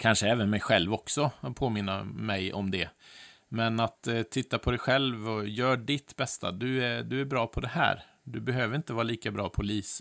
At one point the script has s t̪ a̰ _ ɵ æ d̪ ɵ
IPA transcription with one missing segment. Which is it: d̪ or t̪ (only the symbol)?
d̪